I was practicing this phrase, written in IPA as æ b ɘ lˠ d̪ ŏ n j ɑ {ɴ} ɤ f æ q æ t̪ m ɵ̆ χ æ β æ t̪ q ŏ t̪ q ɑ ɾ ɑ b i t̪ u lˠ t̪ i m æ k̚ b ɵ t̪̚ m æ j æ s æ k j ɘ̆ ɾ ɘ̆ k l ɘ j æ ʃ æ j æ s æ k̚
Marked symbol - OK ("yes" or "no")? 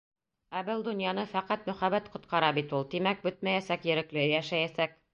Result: no